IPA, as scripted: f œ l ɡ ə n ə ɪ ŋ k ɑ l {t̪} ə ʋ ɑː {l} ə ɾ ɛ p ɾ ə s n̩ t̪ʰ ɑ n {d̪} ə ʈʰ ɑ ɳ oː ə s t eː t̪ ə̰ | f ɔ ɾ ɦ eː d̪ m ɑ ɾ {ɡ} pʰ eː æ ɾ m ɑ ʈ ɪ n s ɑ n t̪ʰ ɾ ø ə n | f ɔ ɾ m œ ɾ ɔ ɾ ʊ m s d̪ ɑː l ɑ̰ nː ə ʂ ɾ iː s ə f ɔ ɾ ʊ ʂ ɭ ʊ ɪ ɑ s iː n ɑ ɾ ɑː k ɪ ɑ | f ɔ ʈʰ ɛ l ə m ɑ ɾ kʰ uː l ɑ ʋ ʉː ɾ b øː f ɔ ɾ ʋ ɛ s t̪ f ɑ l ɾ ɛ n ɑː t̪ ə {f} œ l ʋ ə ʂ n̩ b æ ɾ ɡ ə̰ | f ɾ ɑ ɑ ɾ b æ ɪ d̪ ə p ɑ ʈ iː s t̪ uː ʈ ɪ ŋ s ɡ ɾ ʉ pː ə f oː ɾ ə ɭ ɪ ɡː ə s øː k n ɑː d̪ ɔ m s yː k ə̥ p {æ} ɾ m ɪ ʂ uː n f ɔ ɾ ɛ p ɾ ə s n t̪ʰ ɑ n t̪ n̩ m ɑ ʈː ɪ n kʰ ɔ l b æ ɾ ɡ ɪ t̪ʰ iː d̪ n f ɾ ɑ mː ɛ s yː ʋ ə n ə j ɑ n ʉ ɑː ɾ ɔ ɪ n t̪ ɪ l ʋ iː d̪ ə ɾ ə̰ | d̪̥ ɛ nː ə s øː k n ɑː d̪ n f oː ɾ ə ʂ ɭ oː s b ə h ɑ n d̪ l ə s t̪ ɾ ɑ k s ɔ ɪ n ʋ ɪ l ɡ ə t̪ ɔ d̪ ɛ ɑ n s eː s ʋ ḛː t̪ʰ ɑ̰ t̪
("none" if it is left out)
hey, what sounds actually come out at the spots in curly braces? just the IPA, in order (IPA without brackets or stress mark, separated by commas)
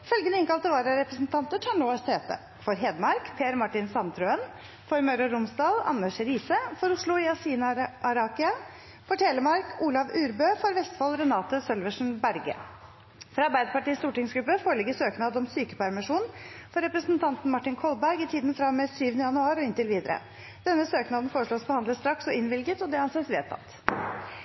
t̪, ɾ, t̪, k, s, æ